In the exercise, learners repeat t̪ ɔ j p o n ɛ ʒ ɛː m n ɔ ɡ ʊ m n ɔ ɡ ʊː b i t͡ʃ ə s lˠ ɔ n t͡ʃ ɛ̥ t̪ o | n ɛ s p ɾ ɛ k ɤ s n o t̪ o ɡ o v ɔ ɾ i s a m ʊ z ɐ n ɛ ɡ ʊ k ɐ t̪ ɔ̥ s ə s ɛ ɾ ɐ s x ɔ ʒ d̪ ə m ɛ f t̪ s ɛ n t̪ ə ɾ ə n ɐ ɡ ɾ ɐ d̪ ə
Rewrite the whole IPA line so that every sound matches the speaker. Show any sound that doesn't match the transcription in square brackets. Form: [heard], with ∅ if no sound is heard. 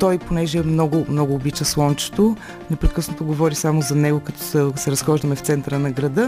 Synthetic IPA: t̪ ɔ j p o n ɛ ʒ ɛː m n ɔ ɡ ʊ m n ɔ ɡ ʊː b i t͡ʃ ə s lˠ ɔ n t͡ʃ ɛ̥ t̪ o | n ɛ [∅] p ɾ ɛ k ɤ s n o t̪ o ɡ o v ɔ ɾ i s a m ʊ z ɐ n ɛ ɡ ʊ k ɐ t̪ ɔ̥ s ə s ɛ ɾ ɐ s x ɔ ʒ d̪ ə m ɛ f t̪ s ɛ n t̪ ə ɾ ə n ɐ ɡ ɾ ɐ d̪ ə